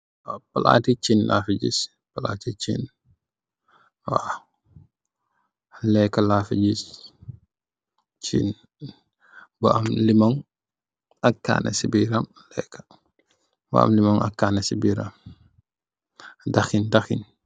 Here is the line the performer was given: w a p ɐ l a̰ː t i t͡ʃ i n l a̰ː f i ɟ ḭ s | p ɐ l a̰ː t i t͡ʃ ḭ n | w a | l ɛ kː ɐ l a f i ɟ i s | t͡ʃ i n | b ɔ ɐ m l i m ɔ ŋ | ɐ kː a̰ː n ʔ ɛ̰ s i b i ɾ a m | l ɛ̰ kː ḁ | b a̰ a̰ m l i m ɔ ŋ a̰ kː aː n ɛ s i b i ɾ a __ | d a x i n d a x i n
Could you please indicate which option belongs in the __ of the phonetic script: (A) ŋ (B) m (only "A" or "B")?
B